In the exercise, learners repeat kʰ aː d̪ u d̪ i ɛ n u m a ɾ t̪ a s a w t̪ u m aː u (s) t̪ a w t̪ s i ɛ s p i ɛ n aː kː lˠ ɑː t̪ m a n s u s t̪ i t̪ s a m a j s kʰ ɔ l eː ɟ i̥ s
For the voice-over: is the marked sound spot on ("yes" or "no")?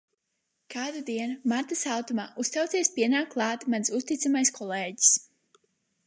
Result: yes